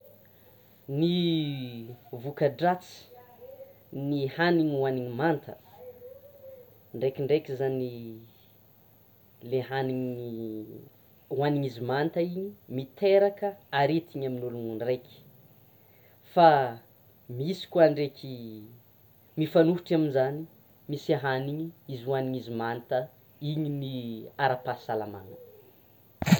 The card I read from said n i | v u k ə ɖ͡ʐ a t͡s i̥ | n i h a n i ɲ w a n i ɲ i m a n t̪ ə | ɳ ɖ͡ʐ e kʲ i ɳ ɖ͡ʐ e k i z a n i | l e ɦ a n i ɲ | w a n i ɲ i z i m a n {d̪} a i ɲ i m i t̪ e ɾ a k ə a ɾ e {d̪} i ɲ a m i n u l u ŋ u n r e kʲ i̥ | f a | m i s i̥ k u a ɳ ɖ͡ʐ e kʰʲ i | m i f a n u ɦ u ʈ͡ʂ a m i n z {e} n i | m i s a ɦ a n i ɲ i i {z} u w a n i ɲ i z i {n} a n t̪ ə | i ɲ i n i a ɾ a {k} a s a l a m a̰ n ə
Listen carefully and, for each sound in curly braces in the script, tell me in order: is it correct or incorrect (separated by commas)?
incorrect, incorrect, incorrect, correct, incorrect, incorrect